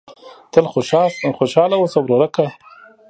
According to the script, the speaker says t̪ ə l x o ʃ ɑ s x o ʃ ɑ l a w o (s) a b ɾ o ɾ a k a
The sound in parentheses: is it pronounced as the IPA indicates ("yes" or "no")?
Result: yes